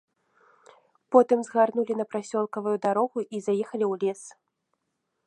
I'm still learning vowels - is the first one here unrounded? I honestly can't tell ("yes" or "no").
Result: no